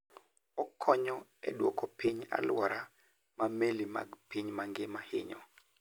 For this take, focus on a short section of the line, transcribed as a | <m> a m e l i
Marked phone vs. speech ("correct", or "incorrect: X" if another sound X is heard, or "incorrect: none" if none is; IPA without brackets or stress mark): correct